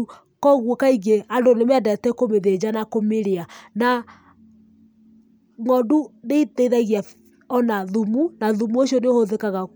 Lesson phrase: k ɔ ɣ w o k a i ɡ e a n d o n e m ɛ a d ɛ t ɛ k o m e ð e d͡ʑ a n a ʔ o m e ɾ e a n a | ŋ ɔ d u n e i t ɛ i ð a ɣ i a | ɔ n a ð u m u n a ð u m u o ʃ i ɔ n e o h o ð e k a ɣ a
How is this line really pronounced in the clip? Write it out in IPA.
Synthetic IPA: k ɔ ɣ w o k a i ɡ e a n d o n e m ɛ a d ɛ t ɛ k o m e ð e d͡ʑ a n a k o m e ɾ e a n a | ŋ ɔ d u n e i t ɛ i ð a ɣ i a | ɔ n a ð u m u n a ð u m u o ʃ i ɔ n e o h o ð e k a ɣ a